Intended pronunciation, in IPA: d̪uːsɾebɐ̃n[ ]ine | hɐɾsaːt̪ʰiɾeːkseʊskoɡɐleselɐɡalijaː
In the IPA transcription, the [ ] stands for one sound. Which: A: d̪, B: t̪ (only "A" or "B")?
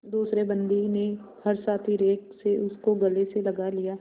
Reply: A